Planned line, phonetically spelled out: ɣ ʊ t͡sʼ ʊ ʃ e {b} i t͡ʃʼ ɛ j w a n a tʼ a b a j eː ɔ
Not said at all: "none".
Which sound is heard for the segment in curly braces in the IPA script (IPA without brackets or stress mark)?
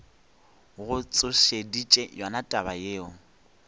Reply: d